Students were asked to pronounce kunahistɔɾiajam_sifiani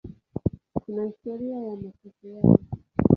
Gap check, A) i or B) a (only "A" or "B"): B